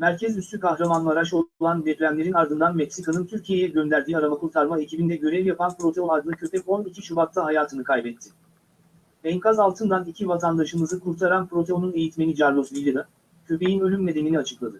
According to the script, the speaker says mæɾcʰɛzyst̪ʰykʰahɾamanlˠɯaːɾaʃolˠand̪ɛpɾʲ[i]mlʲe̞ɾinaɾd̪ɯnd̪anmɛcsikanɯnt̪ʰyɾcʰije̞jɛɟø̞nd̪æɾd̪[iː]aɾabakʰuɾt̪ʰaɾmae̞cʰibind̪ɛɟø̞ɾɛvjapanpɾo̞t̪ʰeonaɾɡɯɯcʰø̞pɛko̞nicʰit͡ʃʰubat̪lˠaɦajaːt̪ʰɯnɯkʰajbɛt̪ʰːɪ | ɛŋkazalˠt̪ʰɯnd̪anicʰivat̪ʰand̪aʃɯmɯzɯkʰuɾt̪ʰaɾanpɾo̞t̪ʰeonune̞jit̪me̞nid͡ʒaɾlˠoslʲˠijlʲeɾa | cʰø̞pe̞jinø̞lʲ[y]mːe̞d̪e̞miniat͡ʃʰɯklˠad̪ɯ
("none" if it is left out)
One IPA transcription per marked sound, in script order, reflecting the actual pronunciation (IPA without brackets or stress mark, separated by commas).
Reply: æ, iː, y